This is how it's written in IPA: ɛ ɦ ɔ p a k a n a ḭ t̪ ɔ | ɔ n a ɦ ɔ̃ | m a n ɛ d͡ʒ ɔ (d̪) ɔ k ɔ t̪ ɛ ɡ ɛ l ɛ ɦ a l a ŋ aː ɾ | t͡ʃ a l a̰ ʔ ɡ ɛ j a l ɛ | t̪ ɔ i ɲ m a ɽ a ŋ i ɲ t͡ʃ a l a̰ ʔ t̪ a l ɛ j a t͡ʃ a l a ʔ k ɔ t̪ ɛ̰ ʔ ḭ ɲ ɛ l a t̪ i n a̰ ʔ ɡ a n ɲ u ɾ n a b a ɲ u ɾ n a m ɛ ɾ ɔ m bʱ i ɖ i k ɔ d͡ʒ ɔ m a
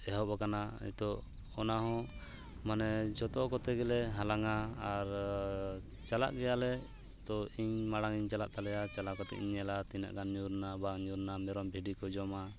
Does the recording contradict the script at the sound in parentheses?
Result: yes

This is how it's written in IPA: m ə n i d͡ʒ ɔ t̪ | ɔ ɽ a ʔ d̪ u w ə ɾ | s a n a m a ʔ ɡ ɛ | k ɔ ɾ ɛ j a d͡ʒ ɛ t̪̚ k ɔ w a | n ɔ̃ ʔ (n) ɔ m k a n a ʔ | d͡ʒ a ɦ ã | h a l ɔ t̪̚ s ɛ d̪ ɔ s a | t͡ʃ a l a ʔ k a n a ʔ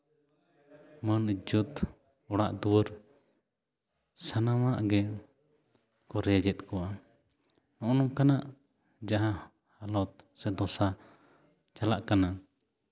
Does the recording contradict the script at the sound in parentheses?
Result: no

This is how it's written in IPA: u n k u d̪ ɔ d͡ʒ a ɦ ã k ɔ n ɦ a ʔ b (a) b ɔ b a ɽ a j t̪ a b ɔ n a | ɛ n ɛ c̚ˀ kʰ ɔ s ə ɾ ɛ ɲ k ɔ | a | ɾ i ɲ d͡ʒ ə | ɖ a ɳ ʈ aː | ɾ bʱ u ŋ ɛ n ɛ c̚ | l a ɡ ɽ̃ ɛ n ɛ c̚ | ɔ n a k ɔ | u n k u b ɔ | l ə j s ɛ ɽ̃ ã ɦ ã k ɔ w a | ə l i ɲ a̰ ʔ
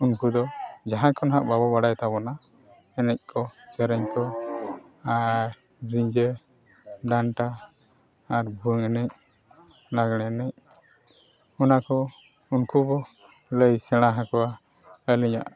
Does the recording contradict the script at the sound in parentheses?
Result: no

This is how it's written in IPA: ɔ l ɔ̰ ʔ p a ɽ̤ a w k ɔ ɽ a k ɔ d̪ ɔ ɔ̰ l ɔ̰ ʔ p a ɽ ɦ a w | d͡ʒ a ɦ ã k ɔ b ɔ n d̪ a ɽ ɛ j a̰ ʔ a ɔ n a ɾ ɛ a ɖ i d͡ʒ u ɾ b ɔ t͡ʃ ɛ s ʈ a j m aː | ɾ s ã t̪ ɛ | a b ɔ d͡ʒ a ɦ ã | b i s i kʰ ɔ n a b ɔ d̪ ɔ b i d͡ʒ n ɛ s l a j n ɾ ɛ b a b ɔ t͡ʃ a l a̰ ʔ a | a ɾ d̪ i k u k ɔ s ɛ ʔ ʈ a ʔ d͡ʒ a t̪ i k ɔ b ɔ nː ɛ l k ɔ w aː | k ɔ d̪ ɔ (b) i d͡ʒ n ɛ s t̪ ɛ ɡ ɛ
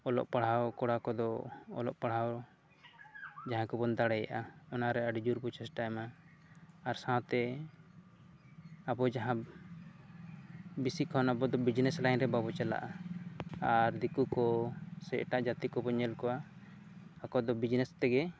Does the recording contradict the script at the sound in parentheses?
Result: no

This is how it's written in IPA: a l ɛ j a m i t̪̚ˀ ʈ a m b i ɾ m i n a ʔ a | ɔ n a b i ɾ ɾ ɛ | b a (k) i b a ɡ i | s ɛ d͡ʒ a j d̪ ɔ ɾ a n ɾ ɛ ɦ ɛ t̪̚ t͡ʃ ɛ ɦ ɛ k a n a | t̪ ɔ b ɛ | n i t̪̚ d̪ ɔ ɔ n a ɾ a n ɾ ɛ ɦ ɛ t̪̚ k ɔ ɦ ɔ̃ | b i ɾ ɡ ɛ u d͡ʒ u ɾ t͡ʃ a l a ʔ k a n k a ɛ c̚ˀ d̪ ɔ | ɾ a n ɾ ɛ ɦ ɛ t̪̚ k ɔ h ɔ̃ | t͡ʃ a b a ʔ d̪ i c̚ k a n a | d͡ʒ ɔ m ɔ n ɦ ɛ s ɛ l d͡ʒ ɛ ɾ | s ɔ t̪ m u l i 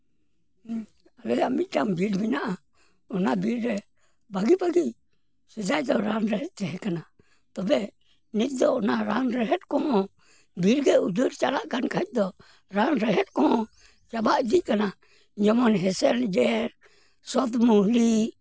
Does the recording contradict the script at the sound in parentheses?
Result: yes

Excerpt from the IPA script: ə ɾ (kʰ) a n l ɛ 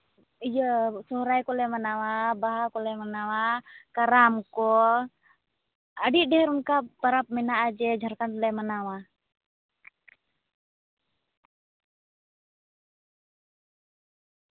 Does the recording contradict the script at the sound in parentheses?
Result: yes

